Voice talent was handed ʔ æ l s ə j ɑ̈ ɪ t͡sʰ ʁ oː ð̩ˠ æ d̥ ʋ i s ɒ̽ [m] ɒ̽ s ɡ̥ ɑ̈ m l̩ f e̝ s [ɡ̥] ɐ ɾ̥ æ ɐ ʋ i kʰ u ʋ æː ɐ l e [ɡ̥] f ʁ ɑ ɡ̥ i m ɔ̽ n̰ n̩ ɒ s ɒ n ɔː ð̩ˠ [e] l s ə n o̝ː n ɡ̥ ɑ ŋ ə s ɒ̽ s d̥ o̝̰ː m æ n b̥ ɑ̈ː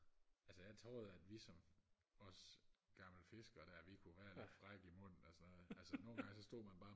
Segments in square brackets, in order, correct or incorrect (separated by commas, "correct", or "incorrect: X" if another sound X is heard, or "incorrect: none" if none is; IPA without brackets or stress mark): correct, correct, incorrect: d̥, incorrect: æ